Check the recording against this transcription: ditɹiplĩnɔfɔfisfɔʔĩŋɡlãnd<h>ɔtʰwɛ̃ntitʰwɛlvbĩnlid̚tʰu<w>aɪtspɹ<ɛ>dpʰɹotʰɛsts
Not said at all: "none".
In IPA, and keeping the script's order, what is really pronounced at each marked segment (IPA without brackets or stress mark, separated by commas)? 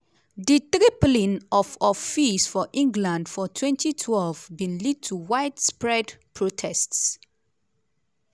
f, w, ɛ